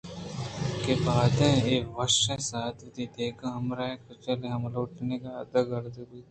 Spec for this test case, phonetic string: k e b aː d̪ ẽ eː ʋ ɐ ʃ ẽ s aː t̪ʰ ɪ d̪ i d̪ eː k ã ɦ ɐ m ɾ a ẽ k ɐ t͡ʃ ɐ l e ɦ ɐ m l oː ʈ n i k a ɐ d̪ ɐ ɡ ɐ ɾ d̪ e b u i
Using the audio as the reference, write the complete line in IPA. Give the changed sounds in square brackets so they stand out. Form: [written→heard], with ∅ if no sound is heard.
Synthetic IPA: k e b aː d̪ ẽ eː ʋ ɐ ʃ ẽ s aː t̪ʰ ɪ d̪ i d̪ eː k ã ɦ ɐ m ɾ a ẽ k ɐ t͡ʃ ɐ l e ɦ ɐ m l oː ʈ n [i→e] k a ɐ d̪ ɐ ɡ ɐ ɾ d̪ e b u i